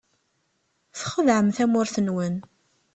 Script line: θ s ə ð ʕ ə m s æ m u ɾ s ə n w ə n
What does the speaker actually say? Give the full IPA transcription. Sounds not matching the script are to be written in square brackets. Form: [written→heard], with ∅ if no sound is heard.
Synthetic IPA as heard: θ [s→χ] ə ð ʕ ə m [s→θ] æ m [u→ʊ] ɾ [s→θ] ə n w ə n